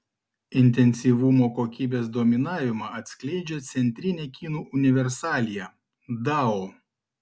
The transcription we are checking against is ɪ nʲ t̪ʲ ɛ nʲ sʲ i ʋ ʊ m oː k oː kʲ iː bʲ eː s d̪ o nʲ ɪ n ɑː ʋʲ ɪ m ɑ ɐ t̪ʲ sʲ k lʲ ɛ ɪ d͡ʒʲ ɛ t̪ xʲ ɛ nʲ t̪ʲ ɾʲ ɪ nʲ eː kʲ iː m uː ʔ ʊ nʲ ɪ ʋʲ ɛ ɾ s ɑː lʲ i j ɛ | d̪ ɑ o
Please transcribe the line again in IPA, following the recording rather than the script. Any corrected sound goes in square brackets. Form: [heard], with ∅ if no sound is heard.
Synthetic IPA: ɪ nʲ t̪ʲ ɛ nʲ sʲ i ʋ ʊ m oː k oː kʲ iː bʲ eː s d̪ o [mʲ] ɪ n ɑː ʋʲ ɪ m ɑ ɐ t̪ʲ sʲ k lʲ ɛ ɪ d͡ʒʲ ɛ t̪ [sʲ] ɛ nʲ t̪ʲ ɾʲ ɪ nʲ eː kʲ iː [n] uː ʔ ʊ nʲ ɪ ʋʲ ɛ ɾ s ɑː lʲ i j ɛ | d̪ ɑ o